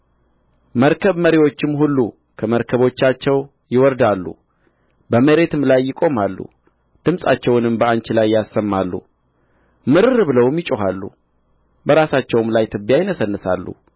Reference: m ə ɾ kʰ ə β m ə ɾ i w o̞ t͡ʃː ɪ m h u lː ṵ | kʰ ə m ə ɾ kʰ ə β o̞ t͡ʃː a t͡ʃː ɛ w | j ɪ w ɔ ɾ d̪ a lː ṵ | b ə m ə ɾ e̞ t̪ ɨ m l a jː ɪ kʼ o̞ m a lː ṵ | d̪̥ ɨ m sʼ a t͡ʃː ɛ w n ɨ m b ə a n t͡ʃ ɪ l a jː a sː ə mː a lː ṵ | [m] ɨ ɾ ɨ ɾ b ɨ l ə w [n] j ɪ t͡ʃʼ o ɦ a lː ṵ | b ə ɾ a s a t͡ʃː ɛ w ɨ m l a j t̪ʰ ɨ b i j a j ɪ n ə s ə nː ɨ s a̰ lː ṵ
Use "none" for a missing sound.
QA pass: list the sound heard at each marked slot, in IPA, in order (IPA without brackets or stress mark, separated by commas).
m, m